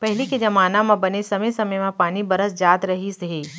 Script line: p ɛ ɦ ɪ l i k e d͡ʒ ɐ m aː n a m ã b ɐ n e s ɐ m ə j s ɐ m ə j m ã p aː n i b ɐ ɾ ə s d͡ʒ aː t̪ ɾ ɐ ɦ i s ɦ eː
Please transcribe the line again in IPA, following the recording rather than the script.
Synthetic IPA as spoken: p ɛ ɦ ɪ l i k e d͡ʒ ɐ m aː n a m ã b ɐ n e s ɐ m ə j s ɐ m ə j m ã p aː n i b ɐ ɾ ə s d͡ʒ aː t̪ ɾ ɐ ɦ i s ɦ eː